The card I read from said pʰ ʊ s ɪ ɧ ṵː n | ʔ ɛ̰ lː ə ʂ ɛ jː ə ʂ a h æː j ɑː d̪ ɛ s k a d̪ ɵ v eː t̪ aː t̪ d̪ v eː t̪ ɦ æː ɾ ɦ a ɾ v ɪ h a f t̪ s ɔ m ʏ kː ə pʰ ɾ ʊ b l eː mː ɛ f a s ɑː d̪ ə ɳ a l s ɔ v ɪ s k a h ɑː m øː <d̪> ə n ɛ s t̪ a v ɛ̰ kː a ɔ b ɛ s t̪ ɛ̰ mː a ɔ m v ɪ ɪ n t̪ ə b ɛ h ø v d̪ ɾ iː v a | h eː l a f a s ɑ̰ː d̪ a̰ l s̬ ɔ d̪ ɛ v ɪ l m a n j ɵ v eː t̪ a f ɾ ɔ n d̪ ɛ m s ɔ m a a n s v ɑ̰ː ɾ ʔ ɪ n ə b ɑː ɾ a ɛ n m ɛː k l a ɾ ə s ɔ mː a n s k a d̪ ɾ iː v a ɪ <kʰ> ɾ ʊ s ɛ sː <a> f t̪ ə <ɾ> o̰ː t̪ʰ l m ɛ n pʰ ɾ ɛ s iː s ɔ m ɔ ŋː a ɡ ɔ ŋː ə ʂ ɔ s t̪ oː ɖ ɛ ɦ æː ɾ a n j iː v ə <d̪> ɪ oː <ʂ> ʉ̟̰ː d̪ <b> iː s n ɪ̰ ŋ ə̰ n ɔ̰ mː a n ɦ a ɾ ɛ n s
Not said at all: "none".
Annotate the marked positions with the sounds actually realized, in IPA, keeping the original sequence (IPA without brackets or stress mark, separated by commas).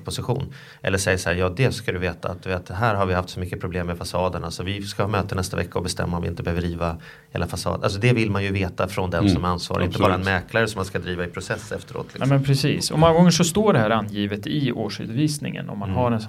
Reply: t̪, pʰ, ɛ, ɾ, t̪, ʂ, v